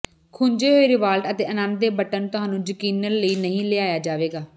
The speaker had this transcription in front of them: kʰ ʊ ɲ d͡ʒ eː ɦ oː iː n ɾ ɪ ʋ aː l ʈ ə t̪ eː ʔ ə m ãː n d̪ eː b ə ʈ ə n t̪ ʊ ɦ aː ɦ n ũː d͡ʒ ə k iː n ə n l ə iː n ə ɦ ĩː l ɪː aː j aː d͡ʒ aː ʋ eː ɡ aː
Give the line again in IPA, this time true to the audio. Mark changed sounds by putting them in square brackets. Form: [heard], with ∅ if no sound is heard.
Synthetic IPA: kʰ ʊ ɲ d͡ʒ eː ɦ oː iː [∅] ɾ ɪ ʋ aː l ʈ ə t̪ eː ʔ ə [n] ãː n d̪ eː b ə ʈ ə n t̪ ʊ ɦ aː [∅] n ũː d͡ʒ ə k iː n ə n l ə iː n ə ɦ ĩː l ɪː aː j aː d͡ʒ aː ʋ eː ɡ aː